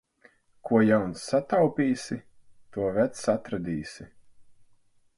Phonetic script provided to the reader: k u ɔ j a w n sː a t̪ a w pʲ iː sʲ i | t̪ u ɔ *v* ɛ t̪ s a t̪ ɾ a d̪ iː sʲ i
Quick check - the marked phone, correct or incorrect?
correct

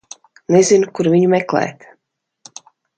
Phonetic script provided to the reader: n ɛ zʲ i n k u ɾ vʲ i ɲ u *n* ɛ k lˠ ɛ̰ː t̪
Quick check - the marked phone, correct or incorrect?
incorrect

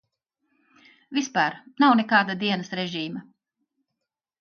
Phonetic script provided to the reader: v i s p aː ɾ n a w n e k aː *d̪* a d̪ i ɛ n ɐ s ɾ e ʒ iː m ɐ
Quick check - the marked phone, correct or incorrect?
correct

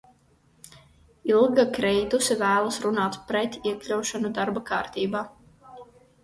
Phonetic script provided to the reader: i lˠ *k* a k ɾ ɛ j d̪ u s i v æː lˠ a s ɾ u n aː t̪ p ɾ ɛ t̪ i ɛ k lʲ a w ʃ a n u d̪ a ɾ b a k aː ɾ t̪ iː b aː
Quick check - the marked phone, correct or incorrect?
incorrect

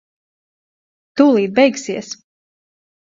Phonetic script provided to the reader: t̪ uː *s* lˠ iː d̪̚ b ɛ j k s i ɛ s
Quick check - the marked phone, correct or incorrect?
incorrect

